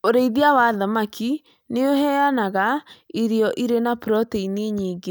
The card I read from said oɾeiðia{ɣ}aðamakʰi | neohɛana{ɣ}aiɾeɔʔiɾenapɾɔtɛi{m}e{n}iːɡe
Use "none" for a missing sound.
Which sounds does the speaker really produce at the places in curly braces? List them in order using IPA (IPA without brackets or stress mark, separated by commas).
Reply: w, ɣ, n, ɲ